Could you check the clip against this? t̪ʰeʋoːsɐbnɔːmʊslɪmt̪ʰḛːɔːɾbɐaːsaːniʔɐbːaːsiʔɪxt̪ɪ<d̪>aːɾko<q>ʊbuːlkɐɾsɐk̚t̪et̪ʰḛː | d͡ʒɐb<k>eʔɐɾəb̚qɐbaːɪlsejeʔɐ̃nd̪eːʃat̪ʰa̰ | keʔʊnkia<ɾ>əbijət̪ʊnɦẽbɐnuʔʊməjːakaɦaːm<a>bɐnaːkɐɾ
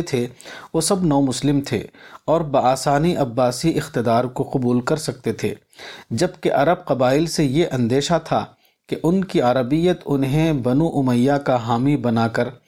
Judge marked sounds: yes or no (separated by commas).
yes, yes, yes, yes, no